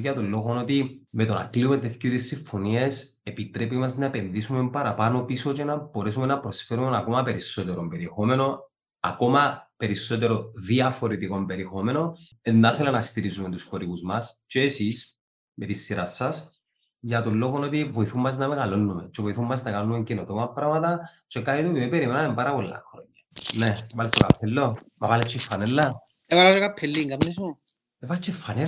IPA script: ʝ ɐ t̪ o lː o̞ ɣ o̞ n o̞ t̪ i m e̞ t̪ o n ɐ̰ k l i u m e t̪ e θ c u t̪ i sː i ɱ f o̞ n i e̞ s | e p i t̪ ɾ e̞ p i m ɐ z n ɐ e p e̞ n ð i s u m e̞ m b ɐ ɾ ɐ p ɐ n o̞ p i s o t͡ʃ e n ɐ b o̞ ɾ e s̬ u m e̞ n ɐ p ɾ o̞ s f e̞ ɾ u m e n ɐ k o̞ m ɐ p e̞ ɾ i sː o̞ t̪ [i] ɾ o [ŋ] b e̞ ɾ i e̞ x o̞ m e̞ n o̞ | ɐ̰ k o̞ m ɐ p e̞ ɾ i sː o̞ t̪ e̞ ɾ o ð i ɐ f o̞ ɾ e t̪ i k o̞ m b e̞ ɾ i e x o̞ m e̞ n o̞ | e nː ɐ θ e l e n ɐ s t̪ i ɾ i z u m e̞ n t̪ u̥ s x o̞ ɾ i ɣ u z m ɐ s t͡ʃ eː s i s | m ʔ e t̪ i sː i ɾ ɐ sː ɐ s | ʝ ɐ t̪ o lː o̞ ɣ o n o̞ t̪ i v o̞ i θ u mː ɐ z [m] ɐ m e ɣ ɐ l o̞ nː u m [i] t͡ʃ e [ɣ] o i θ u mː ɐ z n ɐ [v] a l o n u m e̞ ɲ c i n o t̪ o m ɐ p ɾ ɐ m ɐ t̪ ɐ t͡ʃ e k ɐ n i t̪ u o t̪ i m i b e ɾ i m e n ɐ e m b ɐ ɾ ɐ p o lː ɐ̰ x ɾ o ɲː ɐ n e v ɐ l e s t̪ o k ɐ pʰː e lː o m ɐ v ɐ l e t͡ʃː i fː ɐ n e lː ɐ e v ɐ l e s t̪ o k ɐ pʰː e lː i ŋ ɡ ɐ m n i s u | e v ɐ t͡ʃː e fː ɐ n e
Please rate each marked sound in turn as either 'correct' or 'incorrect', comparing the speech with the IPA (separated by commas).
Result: incorrect, incorrect, incorrect, incorrect, incorrect, incorrect